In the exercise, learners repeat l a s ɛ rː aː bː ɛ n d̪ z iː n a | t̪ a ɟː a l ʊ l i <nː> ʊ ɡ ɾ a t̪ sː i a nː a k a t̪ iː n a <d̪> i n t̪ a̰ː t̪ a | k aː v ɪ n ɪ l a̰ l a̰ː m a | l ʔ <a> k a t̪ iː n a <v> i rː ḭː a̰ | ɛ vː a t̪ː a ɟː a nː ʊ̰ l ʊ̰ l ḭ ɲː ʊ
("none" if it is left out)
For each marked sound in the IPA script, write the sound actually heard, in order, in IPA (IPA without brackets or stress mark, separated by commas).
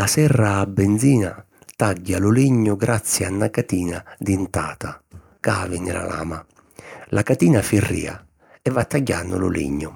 ɲː, d̪, a, f